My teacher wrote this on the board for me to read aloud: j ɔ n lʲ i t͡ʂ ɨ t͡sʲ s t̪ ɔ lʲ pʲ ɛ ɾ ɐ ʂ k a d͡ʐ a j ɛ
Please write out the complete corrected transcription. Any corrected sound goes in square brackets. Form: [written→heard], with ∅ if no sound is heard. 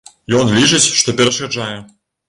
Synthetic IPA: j ɔ n lʲ i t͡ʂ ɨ t͡sʲ [s→ʂ] t̪ ɔ [lʲ→∅] pʲ ɛ ɾ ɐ ʂ k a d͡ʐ a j ɛ